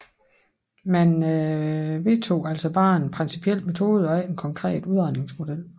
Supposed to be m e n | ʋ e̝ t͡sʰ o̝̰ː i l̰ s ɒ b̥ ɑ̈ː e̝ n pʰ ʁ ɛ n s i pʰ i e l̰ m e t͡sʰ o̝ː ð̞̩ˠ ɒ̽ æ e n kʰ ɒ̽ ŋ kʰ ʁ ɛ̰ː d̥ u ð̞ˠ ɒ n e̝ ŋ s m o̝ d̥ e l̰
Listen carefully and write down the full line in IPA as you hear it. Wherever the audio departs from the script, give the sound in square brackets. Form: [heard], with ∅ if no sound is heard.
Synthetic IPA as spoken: m [æ] n | ʋ e̝ t͡sʰ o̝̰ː [æ] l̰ s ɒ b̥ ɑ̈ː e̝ n pʰ ʁ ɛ n s i pʰ i e l̰ m e t͡sʰ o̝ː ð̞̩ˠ ɒ̽ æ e n kʰ ɒ̽ ŋ kʰ ʁ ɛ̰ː d̥ u ð̞ˠ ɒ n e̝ ŋ s m o̝ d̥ e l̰